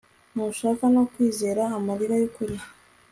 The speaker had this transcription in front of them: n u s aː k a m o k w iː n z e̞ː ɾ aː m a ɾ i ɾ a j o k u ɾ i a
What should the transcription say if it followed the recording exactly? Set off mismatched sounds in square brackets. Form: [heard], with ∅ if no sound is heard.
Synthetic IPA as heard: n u [ʃ] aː k a [n] o k w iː [∅] z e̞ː ɾ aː m a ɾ i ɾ a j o k u ɾ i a